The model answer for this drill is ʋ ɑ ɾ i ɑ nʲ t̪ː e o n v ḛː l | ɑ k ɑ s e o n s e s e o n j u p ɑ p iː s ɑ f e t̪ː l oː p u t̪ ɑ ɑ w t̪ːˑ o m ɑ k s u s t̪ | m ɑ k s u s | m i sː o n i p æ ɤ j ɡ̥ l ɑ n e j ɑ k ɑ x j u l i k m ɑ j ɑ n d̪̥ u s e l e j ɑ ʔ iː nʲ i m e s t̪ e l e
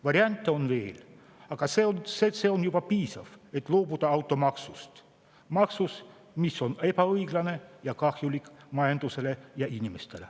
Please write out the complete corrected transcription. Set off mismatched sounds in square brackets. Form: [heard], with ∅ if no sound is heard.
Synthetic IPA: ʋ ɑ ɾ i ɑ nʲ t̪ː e o n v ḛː l | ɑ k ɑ s e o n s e s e o n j u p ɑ p iː s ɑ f e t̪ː l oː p u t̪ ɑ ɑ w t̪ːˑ o m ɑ k s u s t̪ | m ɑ k s u s | m i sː o n [e] p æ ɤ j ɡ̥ l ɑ n e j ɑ k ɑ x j u l i k m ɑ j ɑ n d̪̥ u s e l e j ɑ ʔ [i] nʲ i m e s t̪ e l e

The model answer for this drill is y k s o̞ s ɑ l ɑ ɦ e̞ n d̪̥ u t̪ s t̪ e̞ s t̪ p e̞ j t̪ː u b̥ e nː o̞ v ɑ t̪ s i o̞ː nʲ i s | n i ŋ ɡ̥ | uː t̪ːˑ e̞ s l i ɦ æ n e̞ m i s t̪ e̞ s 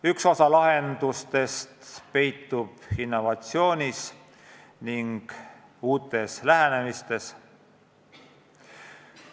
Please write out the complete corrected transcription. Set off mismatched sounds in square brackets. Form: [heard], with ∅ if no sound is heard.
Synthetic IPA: y k s o̞ s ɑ l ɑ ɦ e̞ n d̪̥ u [∅] s t̪ e̞ s t̪ p e̞ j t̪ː u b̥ [i] nː o̞ v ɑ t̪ s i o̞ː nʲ i s | n i ŋ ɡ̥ | uː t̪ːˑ e̞ s l [æ] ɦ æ n e̞ m i s t̪ e̞ s

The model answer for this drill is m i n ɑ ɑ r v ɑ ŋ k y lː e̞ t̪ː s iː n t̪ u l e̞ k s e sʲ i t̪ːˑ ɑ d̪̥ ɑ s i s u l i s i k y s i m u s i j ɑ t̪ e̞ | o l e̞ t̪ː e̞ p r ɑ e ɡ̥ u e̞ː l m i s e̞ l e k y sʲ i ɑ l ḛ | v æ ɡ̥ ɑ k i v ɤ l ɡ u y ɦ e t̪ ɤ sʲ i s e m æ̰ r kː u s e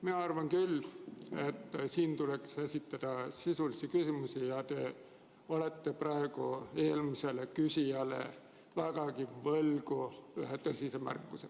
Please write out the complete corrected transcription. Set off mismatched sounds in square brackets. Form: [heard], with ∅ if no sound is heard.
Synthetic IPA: m i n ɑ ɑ r v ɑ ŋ k y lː e̞ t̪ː s iː n t̪ u l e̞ k s e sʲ i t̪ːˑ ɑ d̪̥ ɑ s i s u l i s i k y s i m u s i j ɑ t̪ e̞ | o l e̞ t̪ː e̞ p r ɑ e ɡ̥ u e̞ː l m i s e̞ l e k y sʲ i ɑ l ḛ | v æ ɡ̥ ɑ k i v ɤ l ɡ u y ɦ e t̪ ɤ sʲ i s e m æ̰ r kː u s e

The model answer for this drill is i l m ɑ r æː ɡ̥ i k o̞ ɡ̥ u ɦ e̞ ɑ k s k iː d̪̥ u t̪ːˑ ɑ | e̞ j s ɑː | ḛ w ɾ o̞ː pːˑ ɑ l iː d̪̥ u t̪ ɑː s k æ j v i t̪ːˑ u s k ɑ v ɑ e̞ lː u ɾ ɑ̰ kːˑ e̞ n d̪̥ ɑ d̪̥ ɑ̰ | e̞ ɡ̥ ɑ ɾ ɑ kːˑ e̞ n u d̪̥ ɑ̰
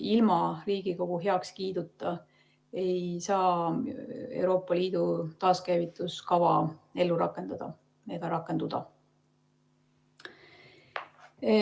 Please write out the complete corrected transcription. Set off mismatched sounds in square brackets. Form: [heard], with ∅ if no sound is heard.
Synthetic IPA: i l m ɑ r [iː] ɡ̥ i k o̞ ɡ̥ u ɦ e̞ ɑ k s k iː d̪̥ u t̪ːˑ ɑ | e̞ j s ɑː | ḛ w ɾ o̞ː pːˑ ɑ l iː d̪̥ u t̪ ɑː s k æ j v i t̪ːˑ u s k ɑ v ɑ e̞ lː u ɾ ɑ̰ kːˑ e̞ n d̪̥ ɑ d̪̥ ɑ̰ | e̞ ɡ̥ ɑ ɾ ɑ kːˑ e̞ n u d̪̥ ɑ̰

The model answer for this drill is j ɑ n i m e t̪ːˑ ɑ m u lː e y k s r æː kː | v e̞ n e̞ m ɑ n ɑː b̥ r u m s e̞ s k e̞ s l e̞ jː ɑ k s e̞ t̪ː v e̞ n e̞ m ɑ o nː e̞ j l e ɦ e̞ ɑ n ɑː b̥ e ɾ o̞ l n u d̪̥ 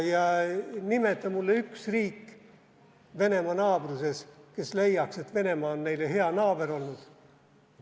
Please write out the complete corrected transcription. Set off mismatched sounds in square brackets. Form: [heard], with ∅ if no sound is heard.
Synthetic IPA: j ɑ n i m e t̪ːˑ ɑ m u lː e y k s r [iː] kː | v e̞ n e̞ m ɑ n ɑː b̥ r u [∅] s e̞ s k e̞ s l e̞ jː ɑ k s e̞ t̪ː v e̞ n e̞ m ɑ o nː e̞ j l e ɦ e̞ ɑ n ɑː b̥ e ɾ o̞ l n u d̪̥

